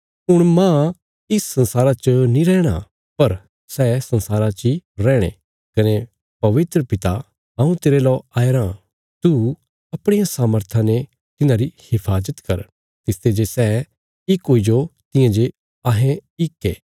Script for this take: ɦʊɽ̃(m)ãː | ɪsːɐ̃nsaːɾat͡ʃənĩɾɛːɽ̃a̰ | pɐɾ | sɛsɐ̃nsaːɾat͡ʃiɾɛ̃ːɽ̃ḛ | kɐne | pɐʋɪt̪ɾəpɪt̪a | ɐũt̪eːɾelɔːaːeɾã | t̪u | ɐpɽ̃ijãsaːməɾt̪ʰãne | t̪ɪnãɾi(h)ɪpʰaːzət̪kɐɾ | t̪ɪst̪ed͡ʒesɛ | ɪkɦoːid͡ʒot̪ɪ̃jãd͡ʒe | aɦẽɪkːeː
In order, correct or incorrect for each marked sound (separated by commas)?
correct, correct